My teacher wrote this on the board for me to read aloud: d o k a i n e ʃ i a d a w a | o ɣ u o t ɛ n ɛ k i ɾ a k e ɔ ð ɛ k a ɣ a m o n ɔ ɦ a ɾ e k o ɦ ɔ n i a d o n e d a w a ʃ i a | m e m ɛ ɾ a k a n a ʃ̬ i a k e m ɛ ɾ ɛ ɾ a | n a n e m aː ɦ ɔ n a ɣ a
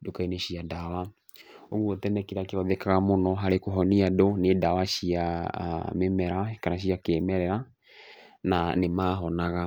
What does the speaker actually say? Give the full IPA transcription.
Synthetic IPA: d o k a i n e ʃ i a d a w a | o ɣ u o t ɛ n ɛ k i ɾ a k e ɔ ð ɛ k a ɣ a m o n ɔ ɦ a ɾ e k o ɦ ɔ n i a d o n e d a w a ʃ i a | m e m ɛ ɾ a k a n a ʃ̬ i a k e m ɛ ɾ ɛ ɾ a | n a n e m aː ɦ ɔ n a ɣ a